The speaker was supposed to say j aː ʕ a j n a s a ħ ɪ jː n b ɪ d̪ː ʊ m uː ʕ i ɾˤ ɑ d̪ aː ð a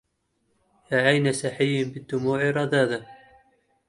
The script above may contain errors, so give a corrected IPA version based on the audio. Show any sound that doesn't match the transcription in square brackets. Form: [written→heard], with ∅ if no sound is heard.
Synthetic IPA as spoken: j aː ʕ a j n a s a ħ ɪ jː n b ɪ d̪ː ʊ m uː ʕ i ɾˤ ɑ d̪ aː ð a

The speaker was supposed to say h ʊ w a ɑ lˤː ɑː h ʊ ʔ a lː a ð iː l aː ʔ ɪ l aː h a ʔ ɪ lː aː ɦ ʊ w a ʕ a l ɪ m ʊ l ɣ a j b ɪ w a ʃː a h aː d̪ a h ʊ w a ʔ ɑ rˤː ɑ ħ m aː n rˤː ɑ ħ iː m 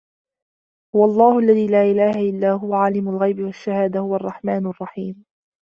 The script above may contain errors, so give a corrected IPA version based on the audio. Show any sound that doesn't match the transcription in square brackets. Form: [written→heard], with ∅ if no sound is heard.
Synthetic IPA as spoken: h ʊ w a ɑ lˤː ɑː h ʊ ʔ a lː a ð iː l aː ʔ ɪ l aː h a ʔ ɪ lː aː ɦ ʊ w a ʕ a l ɪ m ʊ l ɣ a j b ɪ w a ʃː a h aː d̪ a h ʊ w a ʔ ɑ rˤː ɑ ħ m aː n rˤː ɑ ħ iː m

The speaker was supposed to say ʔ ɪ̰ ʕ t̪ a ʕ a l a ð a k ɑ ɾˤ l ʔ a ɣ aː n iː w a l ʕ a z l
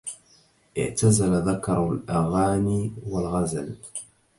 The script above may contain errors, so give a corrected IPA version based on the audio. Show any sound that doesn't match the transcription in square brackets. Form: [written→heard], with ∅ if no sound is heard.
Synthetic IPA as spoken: ʔ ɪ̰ ʕ t̪ a [ʕ→z] a l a ð a k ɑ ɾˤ l ʔ a ɣ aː n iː w a l [ʕ→ɣ] a z l

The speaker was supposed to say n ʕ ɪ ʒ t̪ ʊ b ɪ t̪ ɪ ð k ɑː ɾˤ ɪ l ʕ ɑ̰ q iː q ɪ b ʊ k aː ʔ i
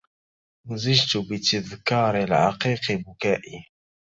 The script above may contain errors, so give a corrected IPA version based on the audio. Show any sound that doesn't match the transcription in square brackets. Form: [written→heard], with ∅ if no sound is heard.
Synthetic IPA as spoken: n [ʕ→z] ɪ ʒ t̪ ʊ b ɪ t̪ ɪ ð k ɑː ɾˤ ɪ l ʕ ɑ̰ q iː q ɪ b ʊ k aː ʔ i

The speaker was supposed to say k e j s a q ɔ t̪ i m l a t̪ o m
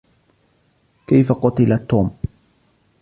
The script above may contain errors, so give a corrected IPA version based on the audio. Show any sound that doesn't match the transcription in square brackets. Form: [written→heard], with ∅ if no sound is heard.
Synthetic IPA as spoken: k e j [s→f] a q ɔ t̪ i [m→∅] l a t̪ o m

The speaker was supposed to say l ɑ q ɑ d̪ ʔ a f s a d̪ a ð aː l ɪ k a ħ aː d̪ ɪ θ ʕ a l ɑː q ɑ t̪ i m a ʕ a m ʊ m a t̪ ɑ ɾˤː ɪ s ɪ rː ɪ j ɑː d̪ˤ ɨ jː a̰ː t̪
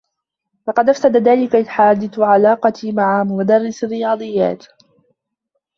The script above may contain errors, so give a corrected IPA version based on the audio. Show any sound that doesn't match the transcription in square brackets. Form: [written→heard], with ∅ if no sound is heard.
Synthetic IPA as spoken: l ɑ q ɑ d̪ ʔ a f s a d̪ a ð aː l ɪ k a ħ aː d̪ ɪ θ ʕ a l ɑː q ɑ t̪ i m a ʕ a m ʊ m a [t̪→d̪] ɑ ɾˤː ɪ s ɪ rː ɪ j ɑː d̪ˤ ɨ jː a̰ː t̪

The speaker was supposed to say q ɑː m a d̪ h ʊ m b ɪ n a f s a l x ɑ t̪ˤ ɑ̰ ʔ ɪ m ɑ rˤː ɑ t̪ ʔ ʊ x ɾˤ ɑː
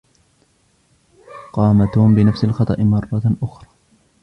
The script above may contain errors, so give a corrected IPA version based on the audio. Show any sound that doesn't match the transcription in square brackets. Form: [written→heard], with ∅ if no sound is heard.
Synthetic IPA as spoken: q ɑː m a [d̪→t̪] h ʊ m b ɪ n a f s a l x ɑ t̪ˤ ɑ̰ ʔ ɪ m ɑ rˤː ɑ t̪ ʔ ʊ x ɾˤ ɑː

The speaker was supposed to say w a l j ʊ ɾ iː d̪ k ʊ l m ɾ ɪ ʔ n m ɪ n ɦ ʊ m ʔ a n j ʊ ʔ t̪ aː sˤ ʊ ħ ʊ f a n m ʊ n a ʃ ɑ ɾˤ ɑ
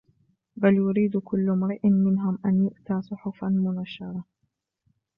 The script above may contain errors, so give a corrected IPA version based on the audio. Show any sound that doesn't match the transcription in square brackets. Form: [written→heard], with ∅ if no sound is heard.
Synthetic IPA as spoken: [w→b] a l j ʊ ɾ iː d̪ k ʊ [l→lː] m ɾ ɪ ʔ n m ɪ n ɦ ʊ m ʔ a n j ʊ ʔ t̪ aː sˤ ʊ ħ ʊ f a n m ʊ n a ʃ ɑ ɾˤ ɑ

